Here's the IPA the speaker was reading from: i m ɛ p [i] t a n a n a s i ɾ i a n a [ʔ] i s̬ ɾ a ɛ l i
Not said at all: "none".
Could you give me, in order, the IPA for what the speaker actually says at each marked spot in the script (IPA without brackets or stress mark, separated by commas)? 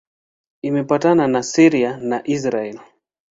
a, ʔ